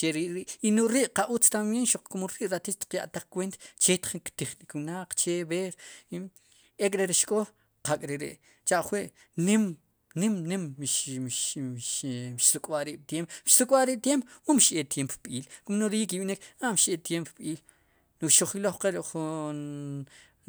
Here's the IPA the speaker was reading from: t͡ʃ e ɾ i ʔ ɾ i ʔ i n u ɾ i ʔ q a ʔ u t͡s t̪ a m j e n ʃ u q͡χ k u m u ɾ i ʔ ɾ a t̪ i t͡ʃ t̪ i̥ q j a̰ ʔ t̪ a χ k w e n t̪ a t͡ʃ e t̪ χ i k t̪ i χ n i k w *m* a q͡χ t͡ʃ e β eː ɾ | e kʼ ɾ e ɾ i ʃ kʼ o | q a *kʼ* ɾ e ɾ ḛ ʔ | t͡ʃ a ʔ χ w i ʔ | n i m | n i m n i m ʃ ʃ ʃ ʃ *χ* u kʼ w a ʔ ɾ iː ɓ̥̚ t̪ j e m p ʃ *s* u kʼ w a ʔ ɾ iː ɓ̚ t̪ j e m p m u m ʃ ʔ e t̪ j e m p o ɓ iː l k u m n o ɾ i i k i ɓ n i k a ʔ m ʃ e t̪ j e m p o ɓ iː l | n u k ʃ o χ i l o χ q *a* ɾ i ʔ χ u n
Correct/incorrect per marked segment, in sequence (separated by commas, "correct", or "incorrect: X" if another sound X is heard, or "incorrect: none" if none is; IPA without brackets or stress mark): incorrect: n, correct, incorrect: s, correct, incorrect: e